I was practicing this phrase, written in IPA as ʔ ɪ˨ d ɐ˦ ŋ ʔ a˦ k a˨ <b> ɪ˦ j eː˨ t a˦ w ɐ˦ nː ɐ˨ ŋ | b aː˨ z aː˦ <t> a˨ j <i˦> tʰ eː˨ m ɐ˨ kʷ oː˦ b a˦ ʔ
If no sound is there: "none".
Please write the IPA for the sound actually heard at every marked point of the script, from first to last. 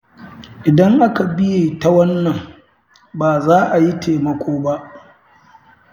b, ʔ, i˦

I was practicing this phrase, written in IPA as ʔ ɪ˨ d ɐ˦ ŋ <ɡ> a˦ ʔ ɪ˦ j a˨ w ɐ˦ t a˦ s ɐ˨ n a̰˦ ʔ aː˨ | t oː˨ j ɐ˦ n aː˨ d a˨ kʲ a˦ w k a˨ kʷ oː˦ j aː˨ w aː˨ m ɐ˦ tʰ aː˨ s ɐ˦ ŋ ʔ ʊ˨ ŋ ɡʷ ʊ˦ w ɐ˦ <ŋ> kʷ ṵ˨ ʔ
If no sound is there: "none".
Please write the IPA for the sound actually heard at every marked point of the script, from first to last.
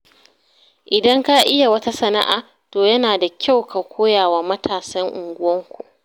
k, ŋ

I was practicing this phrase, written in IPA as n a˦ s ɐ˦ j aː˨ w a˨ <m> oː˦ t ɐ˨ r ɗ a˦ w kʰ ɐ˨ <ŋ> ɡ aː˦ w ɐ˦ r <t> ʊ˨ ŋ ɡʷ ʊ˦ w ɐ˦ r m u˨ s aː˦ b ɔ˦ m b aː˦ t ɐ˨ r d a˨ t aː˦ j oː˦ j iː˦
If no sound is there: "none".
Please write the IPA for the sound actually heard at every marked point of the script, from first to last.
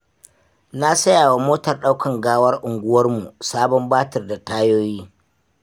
m, ŋ, ʔ

